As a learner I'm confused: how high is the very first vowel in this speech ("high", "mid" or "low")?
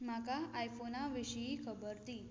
low